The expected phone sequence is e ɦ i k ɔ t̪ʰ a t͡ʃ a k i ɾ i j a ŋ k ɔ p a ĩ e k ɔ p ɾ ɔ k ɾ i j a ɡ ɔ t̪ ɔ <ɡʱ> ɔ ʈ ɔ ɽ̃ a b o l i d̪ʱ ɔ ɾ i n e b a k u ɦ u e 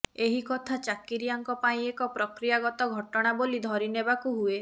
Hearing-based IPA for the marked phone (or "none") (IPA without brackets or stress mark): ɡʱ